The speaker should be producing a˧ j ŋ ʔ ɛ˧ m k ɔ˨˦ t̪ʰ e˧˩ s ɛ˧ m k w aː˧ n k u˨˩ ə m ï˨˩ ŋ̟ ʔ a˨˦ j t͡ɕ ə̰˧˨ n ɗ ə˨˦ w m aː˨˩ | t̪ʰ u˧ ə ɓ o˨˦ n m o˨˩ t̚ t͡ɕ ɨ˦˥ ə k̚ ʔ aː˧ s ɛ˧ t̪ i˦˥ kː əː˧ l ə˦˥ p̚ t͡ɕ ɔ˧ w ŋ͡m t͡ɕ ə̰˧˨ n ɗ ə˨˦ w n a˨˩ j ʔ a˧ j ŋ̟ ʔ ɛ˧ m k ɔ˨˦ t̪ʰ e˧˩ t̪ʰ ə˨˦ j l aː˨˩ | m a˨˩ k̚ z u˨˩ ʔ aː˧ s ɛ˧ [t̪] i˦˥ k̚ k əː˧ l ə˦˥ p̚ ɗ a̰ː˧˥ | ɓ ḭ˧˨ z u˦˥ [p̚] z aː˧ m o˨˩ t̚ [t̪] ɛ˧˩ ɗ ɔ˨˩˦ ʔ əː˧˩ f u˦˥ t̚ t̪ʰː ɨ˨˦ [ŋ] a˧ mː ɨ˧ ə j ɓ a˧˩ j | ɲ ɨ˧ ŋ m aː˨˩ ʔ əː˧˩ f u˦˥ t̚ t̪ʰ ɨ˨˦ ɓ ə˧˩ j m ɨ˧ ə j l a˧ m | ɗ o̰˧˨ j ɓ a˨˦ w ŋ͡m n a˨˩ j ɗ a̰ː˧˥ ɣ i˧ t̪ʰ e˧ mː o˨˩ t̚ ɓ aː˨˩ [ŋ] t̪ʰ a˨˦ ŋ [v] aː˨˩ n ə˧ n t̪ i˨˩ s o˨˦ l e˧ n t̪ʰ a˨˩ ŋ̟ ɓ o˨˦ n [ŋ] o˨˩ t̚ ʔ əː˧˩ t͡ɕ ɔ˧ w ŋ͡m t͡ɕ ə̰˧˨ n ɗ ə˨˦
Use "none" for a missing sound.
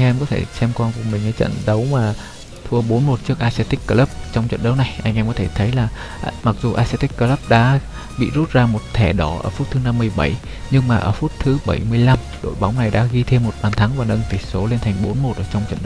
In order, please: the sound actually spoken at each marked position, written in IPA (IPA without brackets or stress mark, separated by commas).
t̪, t̚, t̪ʰ, n, n, v, m